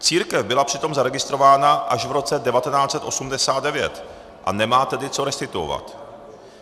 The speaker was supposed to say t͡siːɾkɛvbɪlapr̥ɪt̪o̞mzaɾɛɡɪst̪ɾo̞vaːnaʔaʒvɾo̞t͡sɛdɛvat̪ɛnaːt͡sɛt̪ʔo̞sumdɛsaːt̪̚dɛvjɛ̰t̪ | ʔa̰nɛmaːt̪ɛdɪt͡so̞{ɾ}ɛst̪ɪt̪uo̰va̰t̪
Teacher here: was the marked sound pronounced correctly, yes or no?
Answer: yes